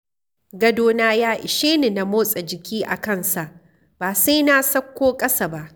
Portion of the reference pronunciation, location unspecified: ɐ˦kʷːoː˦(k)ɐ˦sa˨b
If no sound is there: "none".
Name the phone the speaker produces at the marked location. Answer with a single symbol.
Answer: kʼ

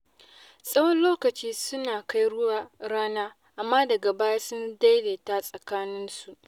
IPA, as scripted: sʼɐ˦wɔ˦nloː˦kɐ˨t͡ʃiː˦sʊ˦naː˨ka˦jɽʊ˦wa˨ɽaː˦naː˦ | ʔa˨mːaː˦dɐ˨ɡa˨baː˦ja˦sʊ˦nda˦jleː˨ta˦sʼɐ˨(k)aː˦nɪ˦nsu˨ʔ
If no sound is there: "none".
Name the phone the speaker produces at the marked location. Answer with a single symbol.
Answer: k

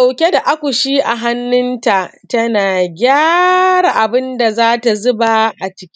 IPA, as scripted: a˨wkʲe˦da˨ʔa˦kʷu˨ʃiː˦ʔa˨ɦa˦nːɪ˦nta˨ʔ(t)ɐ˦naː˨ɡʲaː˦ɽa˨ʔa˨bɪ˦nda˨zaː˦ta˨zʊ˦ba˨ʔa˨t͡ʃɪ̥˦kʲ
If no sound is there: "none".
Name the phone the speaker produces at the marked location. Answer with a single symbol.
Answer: t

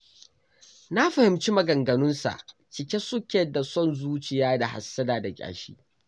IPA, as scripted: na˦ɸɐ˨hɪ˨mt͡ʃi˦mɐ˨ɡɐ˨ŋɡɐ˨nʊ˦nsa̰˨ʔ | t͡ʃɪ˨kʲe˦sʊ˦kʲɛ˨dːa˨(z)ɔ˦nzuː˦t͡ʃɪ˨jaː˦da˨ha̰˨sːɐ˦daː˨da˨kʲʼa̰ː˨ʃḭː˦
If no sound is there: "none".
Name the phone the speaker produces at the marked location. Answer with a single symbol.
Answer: s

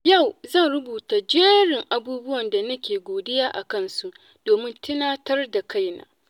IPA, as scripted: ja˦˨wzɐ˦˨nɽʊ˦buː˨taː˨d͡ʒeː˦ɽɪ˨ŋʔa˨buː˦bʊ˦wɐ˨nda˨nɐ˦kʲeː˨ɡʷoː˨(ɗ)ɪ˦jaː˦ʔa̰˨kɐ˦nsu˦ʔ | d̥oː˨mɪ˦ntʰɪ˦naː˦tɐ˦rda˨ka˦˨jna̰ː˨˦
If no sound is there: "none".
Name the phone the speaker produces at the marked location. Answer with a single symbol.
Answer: d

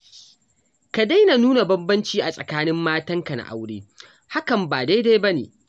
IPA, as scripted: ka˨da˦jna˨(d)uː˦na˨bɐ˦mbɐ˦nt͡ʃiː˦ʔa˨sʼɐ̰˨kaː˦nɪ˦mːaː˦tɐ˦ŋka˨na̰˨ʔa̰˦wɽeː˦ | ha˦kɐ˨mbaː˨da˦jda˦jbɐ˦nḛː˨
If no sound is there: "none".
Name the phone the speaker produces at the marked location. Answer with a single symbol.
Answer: n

